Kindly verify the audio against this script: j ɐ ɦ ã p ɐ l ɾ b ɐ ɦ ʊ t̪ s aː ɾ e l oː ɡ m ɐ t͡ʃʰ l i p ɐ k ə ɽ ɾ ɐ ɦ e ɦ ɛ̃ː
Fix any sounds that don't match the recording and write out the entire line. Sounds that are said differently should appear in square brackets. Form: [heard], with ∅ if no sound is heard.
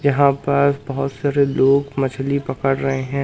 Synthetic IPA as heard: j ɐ ɦ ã p ɐ [∅] ɾ b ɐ ɦ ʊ t̪ s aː ɾ e l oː ɡ m ɐ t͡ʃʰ l i p ɐ k ə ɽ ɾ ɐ ɦ e ɦ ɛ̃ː

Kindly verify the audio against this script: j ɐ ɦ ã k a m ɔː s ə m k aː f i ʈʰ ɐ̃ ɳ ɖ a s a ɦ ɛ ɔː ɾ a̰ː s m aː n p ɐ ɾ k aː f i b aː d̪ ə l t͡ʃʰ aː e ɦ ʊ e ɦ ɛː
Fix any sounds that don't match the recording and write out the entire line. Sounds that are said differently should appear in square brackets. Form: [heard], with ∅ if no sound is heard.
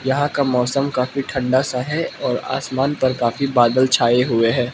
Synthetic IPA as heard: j ɐ ɦ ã k a m ɔː s ə m k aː f i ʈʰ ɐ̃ ɳ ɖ a s a ɦ ɛ ɔː ɾ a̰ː s m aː n p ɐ ɾ k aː f i b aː d̪ ə l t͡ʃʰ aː e ɦ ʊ e ɦ ɛː

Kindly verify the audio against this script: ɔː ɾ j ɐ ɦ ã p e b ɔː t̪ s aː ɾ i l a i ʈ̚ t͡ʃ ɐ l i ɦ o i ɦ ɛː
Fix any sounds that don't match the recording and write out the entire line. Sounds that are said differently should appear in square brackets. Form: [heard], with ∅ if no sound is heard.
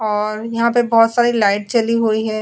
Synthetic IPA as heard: ɔː ɾ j ɐ ɦ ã p e b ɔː t̪ s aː ɾ i l a [ɪ] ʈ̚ t͡ʃ ɐ l i ɦ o i ɦ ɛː

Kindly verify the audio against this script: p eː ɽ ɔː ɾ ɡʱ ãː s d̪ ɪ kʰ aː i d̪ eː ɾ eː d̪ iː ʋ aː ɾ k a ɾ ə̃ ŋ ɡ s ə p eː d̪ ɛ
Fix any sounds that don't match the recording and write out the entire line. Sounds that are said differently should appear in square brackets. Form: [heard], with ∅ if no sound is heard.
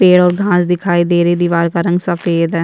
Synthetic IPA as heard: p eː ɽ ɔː ɾ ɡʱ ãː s d̪ ɪ kʰ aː i d̪ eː ɾ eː d̪ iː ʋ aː ɾ k a ɾ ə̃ ŋ ɡ s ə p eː d̪ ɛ

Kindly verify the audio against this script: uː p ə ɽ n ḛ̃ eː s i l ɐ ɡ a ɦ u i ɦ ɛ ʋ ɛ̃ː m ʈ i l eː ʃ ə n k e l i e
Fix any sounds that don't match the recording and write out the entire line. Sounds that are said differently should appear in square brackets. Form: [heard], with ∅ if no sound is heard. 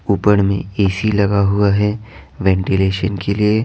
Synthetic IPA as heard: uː p ə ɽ [m] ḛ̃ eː s i l ɐ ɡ a ɦ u [a] ɦ ɛ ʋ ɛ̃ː [ɳ] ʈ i l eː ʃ ə n k e l i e

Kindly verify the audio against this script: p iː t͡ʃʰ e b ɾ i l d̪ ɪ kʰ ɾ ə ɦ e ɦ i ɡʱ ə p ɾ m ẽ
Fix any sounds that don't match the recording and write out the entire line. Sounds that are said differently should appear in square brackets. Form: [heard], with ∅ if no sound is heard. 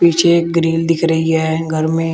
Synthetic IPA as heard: p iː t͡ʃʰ e [ɡ] ɾ [iː] l d̪ ɪ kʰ ɾ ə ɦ [i] ɦ [ɛ] ɡʱ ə [∅] ɾ m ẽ

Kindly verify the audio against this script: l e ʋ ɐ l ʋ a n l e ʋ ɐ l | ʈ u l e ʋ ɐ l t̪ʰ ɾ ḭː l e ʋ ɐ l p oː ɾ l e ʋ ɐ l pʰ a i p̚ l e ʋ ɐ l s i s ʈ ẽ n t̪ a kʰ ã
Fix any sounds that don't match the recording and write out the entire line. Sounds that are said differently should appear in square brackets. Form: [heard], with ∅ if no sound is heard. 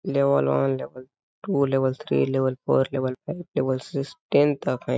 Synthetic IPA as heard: l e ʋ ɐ l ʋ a n l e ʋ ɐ l | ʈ u l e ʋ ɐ l t̪ʰ ɾ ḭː l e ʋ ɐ l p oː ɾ l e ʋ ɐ l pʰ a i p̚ l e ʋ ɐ l s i s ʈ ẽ n t̪ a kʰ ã

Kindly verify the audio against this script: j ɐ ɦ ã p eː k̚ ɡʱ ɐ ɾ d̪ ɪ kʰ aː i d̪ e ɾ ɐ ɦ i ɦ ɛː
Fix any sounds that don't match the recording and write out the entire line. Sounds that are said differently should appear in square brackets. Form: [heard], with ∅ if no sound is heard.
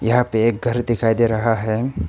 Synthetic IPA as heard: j ɐ ɦ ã p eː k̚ ɡʱ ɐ ɾ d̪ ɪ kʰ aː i d̪ e ɾ ɐ ɦ [a] ɦ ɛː

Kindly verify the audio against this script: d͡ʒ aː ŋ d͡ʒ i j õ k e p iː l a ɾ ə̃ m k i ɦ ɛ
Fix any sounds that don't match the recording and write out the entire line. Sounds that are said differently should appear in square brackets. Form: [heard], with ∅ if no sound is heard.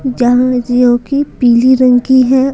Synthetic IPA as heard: d͡ʒ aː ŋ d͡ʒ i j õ k [i] p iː l [i] ɾ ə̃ [ŋ] k i ɦ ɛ

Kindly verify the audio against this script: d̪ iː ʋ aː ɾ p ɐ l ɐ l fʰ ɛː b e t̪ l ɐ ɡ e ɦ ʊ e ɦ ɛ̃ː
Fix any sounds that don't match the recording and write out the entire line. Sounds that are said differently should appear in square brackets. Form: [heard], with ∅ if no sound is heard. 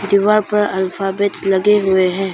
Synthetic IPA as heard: d̪ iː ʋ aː ɾ p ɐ [ɾ] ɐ l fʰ [aː] b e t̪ l ɐ ɡ e ɦ ʊ e ɦ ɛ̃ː

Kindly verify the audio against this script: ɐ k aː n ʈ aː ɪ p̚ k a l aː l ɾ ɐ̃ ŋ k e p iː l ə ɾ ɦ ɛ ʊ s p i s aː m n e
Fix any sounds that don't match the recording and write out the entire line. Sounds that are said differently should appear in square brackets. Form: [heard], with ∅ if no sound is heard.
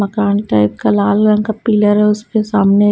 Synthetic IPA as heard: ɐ k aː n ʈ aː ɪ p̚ k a l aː l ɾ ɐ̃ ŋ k [a] p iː l ə ɾ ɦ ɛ ʊ s p [e] s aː m n e

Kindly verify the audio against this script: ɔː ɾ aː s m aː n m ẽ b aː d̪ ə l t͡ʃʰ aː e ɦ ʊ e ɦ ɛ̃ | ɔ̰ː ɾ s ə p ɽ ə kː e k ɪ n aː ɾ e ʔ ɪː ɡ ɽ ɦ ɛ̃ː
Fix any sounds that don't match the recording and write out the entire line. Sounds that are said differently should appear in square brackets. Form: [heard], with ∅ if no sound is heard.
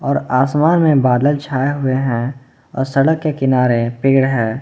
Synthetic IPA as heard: ɔː ɾ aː s m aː n m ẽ b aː d̪ ə l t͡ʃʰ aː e ɦ ʊ e ɦ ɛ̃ | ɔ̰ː ɾ s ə [∅] ɽ ə kː e k ɪ n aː ɾ e [p] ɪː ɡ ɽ ɦ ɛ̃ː

